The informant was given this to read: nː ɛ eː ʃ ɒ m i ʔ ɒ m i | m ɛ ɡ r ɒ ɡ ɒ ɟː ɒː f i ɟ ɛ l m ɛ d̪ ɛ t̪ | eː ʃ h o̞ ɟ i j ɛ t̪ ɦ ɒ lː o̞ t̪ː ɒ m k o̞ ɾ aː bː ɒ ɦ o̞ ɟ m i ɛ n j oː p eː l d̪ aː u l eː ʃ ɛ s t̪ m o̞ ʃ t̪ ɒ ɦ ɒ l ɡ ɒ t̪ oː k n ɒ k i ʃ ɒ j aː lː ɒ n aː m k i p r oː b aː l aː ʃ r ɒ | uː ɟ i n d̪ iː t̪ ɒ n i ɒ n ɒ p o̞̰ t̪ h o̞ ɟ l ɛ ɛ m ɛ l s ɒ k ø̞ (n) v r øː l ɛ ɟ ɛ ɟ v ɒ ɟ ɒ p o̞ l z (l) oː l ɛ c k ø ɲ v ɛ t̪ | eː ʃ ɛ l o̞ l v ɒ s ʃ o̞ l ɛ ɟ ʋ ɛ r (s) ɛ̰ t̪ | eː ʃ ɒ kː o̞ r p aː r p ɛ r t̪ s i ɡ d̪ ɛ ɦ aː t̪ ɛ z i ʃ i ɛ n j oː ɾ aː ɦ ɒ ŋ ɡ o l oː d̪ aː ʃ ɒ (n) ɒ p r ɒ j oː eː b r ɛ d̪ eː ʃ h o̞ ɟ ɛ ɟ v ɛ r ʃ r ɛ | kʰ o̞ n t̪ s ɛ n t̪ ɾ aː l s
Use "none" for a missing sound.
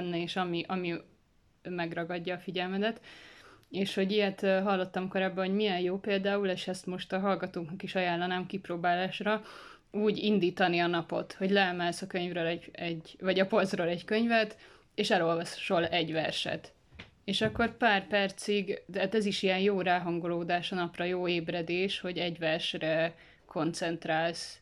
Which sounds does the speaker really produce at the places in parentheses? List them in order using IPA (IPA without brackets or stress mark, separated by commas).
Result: ɲ, r, ʃ, n